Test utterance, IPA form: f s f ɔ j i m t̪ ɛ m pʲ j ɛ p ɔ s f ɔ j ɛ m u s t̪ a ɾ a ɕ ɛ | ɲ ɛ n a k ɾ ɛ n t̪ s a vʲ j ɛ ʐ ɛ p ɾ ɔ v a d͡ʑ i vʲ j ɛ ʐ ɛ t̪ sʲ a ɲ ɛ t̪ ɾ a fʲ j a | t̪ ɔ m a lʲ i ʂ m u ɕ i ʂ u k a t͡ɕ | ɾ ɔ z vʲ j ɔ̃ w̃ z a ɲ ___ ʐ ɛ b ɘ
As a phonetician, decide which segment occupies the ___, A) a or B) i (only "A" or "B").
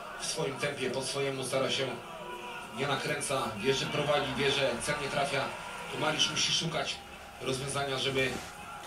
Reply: A